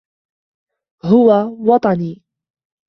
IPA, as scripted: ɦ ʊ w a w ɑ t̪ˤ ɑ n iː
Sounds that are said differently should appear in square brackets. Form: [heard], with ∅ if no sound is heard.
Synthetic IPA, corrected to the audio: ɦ ʊ w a w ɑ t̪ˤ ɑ n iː